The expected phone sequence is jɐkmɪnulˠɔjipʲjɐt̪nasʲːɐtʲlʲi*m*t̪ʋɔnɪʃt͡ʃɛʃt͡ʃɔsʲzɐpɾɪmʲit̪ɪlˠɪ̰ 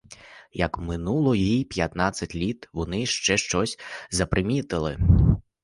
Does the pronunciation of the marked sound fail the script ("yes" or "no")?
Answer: yes